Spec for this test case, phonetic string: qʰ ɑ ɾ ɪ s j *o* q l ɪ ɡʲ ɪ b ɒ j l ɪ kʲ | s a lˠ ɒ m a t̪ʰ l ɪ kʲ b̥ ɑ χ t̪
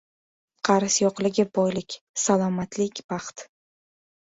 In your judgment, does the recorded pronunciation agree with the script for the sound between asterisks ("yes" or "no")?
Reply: no